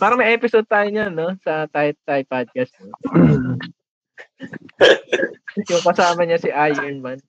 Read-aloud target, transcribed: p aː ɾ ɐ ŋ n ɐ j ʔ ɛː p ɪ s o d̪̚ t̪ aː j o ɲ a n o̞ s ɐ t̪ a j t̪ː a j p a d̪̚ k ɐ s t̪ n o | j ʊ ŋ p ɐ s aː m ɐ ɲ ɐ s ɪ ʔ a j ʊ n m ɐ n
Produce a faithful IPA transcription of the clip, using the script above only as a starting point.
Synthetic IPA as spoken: p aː ɾ ɐ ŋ m ɐ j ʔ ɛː p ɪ s o d̪̚ t̪ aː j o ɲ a n o̞ s ɐ t̪ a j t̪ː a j p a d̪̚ k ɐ s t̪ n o | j ʊ ŋ k ɐ s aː m ɐ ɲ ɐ s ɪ ʔ a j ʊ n m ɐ n